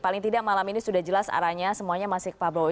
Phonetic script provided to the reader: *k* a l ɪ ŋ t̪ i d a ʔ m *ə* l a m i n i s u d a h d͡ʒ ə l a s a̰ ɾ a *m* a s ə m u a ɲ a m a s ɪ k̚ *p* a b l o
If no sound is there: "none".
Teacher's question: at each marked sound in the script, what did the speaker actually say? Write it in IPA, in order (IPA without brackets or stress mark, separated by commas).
p, a, ɲ, p